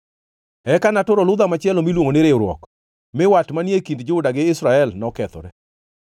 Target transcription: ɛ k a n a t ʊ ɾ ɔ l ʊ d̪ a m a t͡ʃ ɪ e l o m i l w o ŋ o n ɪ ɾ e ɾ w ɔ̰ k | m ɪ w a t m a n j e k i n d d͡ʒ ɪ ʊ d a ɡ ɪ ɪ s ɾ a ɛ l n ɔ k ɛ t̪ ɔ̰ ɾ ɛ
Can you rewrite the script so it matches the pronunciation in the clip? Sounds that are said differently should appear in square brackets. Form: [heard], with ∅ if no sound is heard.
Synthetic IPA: ɛ k a n a t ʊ ɾ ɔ l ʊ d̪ a m a t͡ʃ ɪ [ɛ] l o m i l w o ŋ o n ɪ ɾ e ɾ w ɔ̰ k | m ɪ w a t m a n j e k i n d d͡ʒ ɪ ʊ d a ɡ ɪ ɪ s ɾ a ɛ l n ɔ k ɛ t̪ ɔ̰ ɾ ɛ

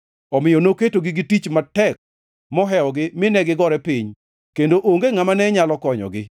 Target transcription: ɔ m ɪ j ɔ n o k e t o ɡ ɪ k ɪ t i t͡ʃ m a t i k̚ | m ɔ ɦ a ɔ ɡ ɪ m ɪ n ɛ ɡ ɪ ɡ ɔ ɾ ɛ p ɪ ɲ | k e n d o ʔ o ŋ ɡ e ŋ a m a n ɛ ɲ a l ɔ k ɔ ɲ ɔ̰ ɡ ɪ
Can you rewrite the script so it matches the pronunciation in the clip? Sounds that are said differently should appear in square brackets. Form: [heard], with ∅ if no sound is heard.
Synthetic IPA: ɔ m ɪ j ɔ n o k e t o ɡ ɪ [ɡ] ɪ t i t͡ʃ m a t [ɛ] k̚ | m ɔ ɦ [ɛ] ɔ ɡ ɪ m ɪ n ɛ ɡ ɪ ɡ ɔ ɾ ɛ p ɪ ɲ | k e n d o ʔ o ŋ ɡ e ŋ a m a n ɛ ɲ a l ɔ k ɔ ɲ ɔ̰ ɡ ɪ

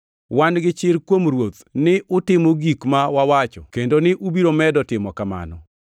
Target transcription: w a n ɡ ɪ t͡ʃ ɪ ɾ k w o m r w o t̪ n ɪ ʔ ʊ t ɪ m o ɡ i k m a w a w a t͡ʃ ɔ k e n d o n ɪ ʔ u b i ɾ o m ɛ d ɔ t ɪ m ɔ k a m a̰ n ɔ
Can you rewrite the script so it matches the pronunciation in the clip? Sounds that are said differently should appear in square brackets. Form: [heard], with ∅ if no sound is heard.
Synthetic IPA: w a n ɡ ɪ t͡ʃ ɪ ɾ k w o m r w o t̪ n ɪ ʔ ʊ t ɪ m o ɡ i k m a w a w a t͡ʃ ɔ k e n d o n ɪ ʔ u b i ɾ o m ɛ d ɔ t ɪ m ɔ k a m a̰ n ɔ

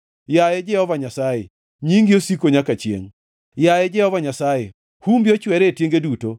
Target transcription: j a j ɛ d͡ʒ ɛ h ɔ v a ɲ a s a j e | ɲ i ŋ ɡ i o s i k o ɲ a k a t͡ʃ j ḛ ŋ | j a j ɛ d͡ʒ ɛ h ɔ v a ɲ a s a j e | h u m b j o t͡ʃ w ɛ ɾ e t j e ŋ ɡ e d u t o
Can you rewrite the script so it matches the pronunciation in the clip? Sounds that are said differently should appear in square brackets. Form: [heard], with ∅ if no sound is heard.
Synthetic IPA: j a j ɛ d͡ʒ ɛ h ɔ v a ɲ a s a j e | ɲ i ŋ ɡ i o s i k o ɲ a k a t͡ʃ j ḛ ŋ | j a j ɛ d͡ʒ ɛ h ɔ v a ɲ a s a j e | h u m b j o t͡ʃ w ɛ ɾ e t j e ŋ ɡ e d u t o

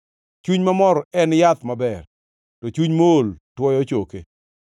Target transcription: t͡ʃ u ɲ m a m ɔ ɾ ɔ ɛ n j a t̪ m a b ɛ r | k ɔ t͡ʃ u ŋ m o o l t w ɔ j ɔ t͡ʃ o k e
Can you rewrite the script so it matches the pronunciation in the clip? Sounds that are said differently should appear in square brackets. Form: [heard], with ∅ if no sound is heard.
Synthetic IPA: t͡ʃ u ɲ m a m ɔ ɾ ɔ ɛ n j a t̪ m a b ɛ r | [t] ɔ t͡ʃ u [ɲ] m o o l t w ɔ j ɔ t͡ʃ o k e

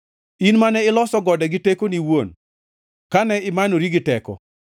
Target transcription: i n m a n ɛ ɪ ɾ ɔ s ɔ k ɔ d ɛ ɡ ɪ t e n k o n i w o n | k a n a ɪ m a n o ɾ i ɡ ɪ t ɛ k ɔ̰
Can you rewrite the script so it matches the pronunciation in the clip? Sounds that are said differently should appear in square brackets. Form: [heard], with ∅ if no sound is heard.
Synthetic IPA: i n m a n ɛ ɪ [l] ɔ s ɔ [ɡ] ɔ d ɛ ɡ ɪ t e [∅] k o n i w o n | k a n [ɛ] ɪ m a n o ɾ i ɡ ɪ t ɛ k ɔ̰

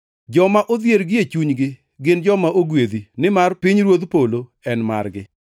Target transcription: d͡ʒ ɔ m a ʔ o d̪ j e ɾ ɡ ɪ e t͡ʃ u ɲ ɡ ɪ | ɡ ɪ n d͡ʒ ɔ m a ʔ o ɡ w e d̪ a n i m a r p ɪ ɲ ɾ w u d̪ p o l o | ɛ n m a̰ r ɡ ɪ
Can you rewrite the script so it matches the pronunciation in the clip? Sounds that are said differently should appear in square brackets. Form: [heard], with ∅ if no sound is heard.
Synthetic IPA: d͡ʒ ɔ m a ʔ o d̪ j e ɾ ɡ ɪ e t͡ʃ u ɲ ɡ ɪ | ɡ ɪ n d͡ʒ ɔ m a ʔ o ɡ w e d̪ [i] n [ɪ] m a r p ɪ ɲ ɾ w [o] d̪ p o l o | ɛ n m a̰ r ɡ ɪ

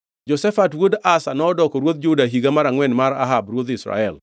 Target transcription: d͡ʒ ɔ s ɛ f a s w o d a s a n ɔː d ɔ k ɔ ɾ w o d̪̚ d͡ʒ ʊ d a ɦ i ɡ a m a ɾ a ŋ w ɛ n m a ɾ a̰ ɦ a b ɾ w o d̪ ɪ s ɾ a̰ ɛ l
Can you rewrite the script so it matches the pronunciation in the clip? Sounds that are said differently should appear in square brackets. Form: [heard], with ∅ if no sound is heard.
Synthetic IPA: d͡ʒ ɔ s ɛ f a [t] w o d a s a n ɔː d ɔ k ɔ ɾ w o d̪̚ d͡ʒ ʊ d a ɦ i ɡ a m a ɾ a ŋ w ɛ n m a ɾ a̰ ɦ a b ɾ w o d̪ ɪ s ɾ a̰ ɛ l

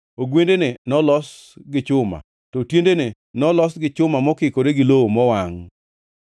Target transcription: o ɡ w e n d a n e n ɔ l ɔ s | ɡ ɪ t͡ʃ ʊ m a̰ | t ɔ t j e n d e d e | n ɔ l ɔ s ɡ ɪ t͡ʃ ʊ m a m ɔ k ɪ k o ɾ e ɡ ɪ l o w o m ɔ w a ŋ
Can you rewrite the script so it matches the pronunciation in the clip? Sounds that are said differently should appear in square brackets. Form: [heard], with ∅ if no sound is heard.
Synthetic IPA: o ɡ w e n d [e] n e n ɔ l ɔ s | ɡ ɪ t͡ʃ ʊ m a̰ | t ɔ t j e n d e [n] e | n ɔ l ɔ s ɡ ɪ t͡ʃ ʊ m a m ɔ k ɪ k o ɾ e ɡ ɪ l o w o m ɔ w a ŋ

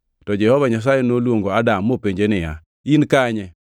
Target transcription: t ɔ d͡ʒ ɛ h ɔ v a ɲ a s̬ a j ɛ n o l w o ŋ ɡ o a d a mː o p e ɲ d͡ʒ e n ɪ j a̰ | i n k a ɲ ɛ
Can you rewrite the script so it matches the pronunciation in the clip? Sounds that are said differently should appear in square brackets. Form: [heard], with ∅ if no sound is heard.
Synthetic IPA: t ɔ d͡ʒ ɛ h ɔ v a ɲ a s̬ a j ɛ n o l w o ŋ ɡ o a d a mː o p e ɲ d͡ʒ e n ɪ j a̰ | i n k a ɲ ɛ

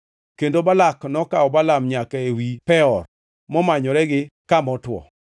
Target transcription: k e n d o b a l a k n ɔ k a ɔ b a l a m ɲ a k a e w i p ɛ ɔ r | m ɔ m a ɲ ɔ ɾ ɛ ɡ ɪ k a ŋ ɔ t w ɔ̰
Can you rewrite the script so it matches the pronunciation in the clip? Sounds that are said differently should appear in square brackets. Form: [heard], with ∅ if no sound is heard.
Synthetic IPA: k e n d o b a l a k n ɔ k a ɔ b a l a m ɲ a k a e w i p ɛ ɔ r | m ɔ m a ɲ ɔ ɾ ɛ ɡ ɪ k a [m] ɔ t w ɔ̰

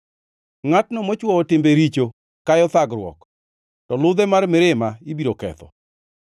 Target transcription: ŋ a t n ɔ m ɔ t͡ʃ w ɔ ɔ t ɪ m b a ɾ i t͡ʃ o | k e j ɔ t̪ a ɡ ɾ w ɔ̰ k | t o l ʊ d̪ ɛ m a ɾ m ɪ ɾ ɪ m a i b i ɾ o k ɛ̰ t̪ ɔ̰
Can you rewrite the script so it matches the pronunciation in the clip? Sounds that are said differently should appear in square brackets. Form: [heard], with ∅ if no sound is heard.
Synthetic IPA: ŋ a t n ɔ m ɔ t͡ʃ w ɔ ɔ t ɪ m b [e] ɾ i t͡ʃ o | k [a] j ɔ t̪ a ɡ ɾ w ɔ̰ k | t [ɔ] l ʊ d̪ ɛ m a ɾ m ɪ ɾ ɪ m a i b i ɾ o k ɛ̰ t̪ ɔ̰

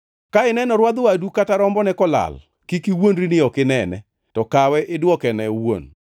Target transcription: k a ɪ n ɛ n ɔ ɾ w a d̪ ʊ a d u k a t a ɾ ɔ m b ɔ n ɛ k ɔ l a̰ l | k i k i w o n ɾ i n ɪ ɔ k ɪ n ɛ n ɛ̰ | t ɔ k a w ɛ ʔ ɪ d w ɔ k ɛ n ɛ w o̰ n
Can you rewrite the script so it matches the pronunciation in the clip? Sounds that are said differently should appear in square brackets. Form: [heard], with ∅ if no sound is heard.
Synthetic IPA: k a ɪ n ɛ n ɔ ɾ w a d̪ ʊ a d u k a t a ɾ ɔ m b ɔ n ɛ k ɔ l a̰ l | k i k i w o n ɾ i n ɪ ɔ k ɪ n ɛ n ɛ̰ | t ɔ k a w ɛ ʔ ɪ d w ɔ k ɛ n ɛ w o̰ n

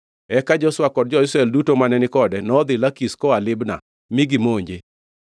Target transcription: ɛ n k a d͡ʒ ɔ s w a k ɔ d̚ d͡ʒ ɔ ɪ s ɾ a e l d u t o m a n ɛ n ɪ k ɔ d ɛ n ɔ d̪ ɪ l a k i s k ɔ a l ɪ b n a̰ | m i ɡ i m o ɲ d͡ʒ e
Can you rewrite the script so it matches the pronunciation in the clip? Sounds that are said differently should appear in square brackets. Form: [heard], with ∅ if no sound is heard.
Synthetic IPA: ɛ [∅] k a d͡ʒ ɔ s w a k ɔ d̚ d͡ʒ ɔ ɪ s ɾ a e l d u t o m a n ɛ n ɪ k ɔ d ɛ n ɔ d̪ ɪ l a k i s k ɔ a l ɪ b n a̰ | m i ɡ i m o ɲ d͡ʒ e

